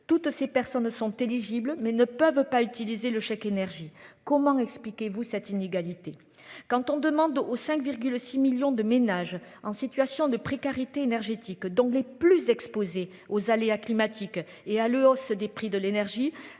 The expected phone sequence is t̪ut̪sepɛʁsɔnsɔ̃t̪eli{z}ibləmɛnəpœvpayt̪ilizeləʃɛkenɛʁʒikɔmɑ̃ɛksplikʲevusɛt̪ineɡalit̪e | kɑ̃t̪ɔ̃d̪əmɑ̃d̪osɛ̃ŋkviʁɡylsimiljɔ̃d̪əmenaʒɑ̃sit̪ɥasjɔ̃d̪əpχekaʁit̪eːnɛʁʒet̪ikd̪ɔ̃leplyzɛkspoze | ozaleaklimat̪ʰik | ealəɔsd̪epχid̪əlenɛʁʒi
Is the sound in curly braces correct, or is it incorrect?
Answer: incorrect